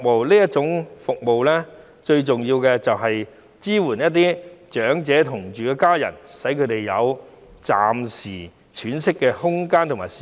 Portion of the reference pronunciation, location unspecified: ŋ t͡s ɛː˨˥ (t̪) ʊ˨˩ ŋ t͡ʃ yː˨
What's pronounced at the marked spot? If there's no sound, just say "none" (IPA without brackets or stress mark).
t̪ʰ